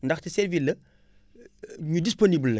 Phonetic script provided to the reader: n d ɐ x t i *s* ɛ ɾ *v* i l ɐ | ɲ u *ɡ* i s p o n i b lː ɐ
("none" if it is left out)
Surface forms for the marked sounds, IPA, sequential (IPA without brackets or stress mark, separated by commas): s, v, d